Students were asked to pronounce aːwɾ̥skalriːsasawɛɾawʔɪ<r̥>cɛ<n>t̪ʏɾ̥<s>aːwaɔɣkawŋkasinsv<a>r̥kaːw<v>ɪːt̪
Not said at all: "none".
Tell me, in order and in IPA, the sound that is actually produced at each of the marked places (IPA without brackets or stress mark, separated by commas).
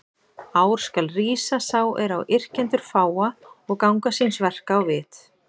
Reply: r̥, n, f, ɛ, v